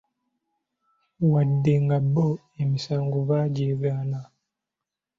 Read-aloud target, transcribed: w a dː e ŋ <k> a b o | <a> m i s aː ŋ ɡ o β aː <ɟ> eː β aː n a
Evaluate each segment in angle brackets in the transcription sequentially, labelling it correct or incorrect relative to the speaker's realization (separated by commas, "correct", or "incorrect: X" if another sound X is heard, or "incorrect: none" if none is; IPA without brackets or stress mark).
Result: incorrect: ɡ, incorrect: e, correct